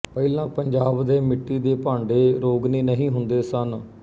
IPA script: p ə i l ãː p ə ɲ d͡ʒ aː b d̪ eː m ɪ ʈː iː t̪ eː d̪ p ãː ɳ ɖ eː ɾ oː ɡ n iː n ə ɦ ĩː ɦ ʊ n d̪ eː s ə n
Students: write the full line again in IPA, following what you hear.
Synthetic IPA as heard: p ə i l ãː p ə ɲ d͡ʒ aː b d̪ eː m ɪ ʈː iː d̪ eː p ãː ɳ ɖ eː ɾ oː ɡ n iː n ə ɦ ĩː ɦ ʊ n d̪ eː s ə n